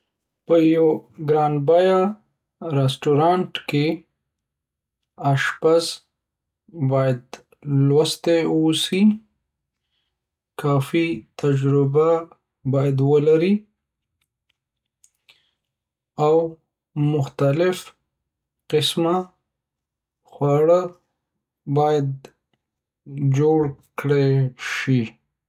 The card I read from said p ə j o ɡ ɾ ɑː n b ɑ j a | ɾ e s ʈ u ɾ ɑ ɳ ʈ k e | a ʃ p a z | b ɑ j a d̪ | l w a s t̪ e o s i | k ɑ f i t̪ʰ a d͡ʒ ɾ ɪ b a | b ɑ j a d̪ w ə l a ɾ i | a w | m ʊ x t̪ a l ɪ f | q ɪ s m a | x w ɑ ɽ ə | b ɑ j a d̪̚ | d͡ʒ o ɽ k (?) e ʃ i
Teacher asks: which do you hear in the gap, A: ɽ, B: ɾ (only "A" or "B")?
A